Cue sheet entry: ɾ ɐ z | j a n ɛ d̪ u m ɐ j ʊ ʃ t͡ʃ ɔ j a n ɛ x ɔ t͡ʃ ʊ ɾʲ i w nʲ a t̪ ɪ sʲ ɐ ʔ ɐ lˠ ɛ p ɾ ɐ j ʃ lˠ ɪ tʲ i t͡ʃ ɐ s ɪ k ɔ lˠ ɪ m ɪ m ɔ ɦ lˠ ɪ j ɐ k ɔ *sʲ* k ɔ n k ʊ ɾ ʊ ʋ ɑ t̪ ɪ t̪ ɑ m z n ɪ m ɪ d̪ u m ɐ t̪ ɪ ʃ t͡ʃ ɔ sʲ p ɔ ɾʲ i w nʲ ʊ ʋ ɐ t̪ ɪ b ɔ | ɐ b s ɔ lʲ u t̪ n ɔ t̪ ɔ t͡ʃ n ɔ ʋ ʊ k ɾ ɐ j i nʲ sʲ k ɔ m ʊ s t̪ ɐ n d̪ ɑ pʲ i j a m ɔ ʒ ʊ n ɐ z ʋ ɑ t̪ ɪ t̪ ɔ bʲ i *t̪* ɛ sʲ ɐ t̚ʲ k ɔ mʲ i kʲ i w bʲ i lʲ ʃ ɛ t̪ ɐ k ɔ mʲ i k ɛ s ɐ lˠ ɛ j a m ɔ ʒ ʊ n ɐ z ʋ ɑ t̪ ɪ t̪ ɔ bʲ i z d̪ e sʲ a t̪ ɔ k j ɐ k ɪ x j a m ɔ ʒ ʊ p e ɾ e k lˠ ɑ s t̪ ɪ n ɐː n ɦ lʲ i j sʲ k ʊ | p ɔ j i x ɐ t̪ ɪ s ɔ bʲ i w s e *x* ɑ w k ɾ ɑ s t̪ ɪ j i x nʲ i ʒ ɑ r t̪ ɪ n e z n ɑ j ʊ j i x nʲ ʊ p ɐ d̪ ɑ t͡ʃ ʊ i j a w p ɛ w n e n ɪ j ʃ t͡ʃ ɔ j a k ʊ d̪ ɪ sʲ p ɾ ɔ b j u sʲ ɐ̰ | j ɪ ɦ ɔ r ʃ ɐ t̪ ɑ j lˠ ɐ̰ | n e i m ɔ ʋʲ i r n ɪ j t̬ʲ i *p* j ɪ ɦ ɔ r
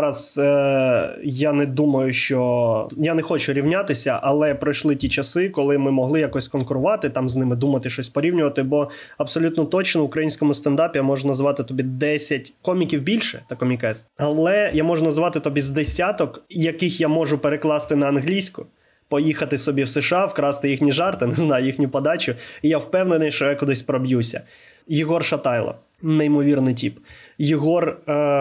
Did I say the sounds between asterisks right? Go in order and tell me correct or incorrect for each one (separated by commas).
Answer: correct, incorrect, incorrect, correct